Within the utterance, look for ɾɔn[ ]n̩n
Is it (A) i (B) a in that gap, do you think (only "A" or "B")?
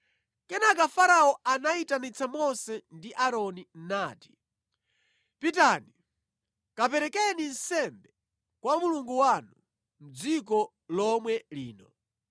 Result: A